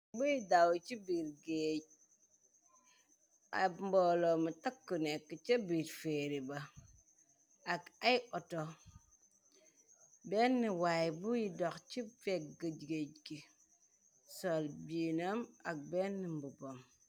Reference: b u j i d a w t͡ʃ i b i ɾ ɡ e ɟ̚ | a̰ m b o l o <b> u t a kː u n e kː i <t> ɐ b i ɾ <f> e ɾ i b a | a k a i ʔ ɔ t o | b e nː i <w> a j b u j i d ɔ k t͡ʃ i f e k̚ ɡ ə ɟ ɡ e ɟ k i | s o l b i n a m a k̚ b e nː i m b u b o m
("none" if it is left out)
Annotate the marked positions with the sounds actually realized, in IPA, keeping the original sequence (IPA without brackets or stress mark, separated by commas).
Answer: m, t͡ʃ, f, w